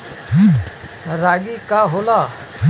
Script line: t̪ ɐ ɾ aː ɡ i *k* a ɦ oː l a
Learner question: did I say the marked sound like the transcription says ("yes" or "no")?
yes